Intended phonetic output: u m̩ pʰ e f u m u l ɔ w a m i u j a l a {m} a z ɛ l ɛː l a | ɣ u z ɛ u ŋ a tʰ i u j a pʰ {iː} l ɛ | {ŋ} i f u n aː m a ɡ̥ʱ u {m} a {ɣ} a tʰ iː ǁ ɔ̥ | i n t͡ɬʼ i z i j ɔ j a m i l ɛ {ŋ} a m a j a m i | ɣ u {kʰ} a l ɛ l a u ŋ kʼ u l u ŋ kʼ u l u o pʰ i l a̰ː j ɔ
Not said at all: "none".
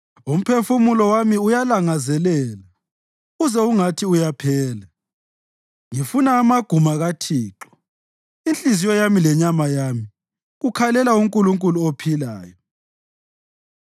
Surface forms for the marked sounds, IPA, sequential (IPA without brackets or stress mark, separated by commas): ŋ, ɛː, ŋ, m, ɣ, ɲ, kʰ